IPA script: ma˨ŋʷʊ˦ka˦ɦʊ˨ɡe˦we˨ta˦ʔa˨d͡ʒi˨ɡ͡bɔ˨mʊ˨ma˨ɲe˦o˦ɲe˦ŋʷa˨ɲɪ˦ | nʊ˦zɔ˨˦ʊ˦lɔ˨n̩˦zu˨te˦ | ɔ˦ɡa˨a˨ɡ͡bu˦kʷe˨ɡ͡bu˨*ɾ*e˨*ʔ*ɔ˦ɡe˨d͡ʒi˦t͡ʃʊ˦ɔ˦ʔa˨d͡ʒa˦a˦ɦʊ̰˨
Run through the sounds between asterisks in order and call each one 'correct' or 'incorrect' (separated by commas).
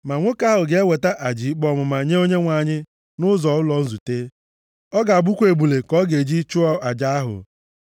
incorrect, incorrect